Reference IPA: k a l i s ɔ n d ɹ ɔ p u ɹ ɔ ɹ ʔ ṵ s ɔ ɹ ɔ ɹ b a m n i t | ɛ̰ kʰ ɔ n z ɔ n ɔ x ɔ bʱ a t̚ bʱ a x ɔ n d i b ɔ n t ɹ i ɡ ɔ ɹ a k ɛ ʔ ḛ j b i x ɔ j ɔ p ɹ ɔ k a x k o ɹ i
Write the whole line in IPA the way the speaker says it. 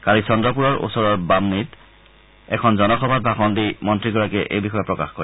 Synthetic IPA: k a l i s ɔ n d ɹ ɔ p u ɹ ɔ ɹ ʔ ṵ s ɔ ɹ ɔ ɹ b a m n i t | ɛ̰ kʰ ɔ n z ɔ n ɔ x ɔ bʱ a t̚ bʱ a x ɔ n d i m ɔ n t ɹ i ɡ ɔ ɹ a k ɛ ʔ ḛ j b i x ɔ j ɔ p ɹ ɔ k a x k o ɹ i